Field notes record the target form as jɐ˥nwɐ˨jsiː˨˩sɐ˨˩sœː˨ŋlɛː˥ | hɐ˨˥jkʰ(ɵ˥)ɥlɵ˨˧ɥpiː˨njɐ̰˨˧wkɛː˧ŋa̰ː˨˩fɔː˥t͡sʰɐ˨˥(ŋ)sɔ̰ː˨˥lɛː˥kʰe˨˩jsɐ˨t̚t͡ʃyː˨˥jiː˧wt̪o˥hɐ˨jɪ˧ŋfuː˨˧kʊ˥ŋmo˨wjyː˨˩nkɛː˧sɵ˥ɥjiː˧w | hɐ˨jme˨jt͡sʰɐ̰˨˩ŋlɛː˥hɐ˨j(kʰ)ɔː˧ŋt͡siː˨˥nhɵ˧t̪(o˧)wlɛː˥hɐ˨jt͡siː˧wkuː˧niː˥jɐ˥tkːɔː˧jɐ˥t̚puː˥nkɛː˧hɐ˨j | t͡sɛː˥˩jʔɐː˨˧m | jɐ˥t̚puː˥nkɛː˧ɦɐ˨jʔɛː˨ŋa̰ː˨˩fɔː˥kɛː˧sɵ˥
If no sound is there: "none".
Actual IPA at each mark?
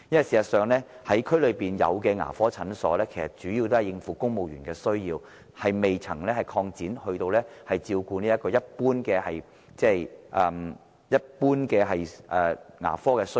ɵ˥, n, kʰ, o˧

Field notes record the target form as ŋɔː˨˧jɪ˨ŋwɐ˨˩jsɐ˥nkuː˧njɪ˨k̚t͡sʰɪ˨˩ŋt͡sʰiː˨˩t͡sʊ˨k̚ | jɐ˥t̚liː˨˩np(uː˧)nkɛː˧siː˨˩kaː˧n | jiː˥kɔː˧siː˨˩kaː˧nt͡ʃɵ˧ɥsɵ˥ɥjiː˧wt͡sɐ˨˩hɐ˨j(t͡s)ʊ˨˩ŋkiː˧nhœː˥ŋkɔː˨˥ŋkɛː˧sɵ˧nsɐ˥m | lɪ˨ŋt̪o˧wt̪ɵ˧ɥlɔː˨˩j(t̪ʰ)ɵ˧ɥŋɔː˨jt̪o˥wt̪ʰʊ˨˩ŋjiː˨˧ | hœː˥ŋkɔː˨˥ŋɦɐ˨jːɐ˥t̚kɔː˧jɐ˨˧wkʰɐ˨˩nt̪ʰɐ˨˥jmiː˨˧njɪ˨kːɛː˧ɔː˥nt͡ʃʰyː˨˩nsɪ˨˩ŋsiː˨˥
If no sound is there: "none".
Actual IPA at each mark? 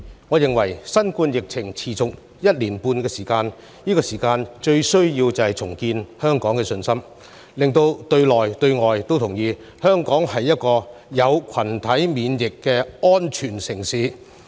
uː˧, t͡sʰ, t̪

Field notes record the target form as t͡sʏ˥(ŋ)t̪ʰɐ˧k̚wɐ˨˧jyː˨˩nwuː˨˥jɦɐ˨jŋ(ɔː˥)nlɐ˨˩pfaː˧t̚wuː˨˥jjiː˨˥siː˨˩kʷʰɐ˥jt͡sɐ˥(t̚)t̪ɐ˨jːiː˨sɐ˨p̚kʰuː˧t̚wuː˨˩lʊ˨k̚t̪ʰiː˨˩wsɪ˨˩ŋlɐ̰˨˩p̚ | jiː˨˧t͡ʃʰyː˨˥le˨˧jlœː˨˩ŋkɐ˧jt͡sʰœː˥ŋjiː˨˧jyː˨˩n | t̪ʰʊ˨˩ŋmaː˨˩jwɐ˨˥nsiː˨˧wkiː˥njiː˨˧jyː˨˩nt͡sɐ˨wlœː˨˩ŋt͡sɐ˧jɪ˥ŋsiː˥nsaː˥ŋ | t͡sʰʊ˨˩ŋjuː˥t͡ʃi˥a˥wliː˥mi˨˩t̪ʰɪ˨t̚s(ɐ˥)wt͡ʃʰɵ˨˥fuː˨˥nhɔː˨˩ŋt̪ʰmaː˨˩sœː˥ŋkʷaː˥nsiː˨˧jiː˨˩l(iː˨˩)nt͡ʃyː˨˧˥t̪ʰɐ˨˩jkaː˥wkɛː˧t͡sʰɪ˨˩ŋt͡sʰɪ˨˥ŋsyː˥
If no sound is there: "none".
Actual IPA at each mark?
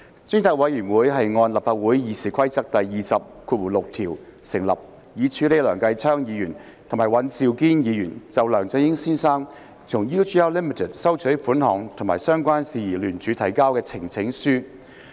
ŋ, ɔː˧, k̚, ɐ˥, yː˨˩

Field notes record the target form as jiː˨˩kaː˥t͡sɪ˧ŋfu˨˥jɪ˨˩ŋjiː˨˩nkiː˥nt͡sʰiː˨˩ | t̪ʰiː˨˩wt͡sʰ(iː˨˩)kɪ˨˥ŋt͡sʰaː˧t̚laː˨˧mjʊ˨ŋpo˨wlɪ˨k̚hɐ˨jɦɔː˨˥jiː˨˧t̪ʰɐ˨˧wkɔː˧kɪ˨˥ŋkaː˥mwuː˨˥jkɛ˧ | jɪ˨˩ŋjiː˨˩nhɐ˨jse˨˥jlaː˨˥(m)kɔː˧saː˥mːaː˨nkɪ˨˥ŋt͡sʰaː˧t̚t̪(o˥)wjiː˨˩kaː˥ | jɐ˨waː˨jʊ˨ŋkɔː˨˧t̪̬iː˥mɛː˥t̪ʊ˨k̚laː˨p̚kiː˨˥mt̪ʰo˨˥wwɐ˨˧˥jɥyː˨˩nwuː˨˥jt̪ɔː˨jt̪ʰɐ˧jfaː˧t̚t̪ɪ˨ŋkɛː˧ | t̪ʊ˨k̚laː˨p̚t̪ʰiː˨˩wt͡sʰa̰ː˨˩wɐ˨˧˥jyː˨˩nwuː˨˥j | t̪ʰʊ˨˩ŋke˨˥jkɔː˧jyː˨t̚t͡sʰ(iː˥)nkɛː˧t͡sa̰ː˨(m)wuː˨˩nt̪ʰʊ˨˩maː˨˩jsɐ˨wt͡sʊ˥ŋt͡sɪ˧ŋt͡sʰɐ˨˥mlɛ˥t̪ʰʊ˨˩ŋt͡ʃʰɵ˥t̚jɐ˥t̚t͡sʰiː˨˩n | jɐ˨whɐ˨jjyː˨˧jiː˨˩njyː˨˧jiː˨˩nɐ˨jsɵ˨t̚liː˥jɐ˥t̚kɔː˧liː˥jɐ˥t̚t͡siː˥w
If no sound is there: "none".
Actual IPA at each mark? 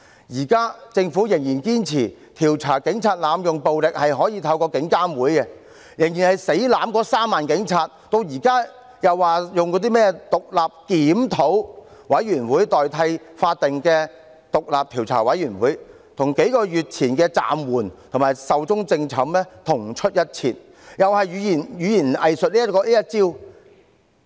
aː˨˩, m, o˧, iː˨˩, m

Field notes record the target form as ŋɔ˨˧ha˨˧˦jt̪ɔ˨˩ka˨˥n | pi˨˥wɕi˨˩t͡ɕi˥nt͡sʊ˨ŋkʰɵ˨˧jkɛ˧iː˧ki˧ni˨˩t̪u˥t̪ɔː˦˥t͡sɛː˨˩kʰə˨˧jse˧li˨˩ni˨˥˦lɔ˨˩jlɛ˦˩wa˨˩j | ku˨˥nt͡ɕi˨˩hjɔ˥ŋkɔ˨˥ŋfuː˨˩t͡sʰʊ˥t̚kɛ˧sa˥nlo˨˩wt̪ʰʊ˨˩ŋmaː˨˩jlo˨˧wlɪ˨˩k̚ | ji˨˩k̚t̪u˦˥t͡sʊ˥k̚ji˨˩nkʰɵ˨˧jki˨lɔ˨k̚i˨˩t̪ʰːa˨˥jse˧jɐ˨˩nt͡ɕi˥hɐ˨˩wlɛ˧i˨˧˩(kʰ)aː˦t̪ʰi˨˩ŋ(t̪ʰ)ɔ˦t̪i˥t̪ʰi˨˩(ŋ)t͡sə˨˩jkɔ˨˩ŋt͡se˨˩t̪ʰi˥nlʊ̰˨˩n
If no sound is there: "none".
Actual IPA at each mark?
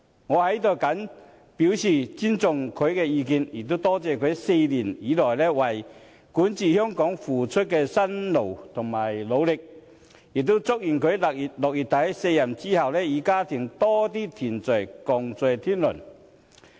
k, t̪, n

